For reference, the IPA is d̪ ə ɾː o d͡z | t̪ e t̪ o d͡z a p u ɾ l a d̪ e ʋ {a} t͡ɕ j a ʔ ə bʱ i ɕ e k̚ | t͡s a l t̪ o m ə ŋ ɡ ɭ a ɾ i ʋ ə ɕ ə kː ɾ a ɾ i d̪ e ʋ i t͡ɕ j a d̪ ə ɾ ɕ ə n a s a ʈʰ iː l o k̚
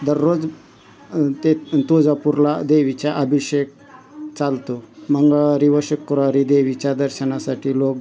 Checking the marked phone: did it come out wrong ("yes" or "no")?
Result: yes